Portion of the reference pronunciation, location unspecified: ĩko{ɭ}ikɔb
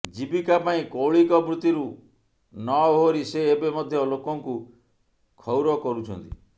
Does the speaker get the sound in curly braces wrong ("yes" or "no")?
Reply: no